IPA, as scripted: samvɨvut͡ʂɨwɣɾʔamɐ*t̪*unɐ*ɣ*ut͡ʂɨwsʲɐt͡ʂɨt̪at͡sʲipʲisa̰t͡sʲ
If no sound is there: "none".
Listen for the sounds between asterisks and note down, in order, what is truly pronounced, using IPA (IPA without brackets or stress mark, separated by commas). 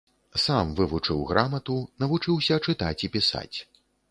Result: t̪, v